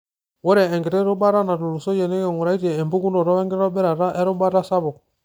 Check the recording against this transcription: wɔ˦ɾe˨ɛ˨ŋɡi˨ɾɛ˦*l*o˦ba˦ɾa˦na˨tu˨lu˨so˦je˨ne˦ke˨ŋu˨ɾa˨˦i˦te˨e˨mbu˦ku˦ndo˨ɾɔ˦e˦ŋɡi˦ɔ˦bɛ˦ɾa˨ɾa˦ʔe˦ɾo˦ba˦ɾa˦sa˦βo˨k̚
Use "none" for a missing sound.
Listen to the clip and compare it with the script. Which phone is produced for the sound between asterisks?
ɾ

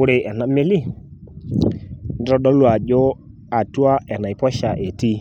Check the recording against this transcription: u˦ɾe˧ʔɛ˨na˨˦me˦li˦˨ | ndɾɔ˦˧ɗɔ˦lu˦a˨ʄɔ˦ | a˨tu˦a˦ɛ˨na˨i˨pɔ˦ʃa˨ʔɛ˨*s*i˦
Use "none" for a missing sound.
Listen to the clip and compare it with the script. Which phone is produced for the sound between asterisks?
t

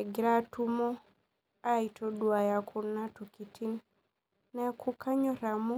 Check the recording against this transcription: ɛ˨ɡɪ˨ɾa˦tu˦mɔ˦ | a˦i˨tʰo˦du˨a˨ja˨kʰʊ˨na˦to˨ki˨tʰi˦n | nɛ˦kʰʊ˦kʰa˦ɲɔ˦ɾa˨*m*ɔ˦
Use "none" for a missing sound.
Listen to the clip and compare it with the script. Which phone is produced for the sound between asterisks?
m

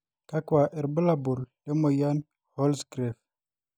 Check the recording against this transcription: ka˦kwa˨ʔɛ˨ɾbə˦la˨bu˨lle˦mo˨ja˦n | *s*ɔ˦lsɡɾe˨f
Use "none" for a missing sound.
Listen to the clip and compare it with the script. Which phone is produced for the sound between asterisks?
h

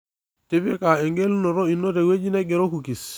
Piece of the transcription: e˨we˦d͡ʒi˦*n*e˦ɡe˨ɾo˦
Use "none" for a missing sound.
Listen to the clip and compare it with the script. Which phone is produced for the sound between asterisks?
n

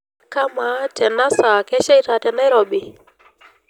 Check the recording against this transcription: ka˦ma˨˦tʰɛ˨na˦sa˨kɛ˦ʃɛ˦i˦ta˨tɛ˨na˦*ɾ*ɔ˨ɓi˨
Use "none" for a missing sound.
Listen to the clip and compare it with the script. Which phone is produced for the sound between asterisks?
ɾ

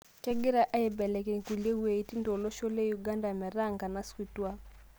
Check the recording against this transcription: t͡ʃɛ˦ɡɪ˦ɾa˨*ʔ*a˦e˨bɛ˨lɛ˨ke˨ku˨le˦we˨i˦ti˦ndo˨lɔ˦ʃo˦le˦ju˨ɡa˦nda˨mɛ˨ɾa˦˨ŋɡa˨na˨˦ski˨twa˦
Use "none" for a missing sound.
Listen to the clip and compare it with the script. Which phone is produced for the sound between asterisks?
ʔ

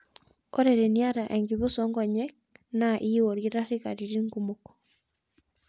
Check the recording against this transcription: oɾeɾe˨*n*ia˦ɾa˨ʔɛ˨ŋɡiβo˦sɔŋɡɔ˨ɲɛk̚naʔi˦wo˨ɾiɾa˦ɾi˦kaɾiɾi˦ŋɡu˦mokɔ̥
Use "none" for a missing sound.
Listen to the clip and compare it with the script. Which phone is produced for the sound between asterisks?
n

